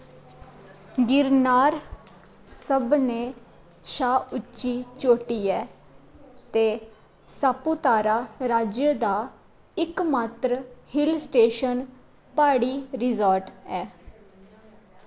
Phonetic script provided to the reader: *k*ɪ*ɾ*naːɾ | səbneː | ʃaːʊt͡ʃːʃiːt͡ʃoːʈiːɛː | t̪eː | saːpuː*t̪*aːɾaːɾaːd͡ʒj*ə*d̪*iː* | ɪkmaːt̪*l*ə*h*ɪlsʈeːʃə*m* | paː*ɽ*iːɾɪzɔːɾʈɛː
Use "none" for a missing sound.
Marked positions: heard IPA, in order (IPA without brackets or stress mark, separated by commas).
ɡ, ɾ, t̪, ə, aː, ɾ, h, n, ɽ